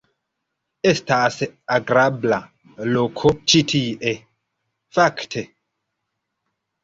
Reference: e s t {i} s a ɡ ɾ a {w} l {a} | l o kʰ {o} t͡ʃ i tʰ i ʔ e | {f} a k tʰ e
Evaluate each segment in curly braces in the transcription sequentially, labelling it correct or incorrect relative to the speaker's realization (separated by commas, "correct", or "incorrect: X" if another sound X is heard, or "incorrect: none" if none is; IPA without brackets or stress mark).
incorrect: a, incorrect: b, correct, correct, correct